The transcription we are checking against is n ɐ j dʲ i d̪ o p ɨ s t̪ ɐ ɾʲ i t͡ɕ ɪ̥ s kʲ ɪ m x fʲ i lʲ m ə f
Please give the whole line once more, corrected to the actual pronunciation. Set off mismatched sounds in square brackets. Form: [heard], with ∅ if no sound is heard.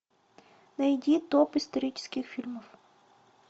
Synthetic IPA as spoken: n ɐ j dʲ i [t̪] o p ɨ s t̪ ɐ ɾʲ i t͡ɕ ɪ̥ s kʲ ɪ [∅] x fʲ i lʲ m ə f